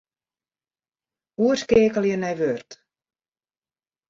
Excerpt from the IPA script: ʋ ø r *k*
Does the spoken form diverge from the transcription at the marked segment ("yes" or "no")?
yes